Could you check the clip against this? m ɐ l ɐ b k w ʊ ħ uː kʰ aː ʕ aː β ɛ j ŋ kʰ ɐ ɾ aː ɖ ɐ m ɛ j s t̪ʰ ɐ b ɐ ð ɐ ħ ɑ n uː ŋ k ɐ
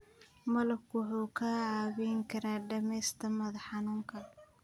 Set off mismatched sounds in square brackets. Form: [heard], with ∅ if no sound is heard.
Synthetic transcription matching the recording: m ɐ l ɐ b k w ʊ ħ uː kʰ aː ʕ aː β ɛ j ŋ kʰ ɐ ɾ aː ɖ ɐ m ɛ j s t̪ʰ ɐ [m] ɐ ð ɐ ħ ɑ n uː ŋ [kʰ] ɐ